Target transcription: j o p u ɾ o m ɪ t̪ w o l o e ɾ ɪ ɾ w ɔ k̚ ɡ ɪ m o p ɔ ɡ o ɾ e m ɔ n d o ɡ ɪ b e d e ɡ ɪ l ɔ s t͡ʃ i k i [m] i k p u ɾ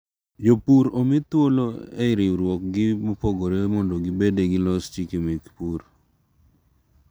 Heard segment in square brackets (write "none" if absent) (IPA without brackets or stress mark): m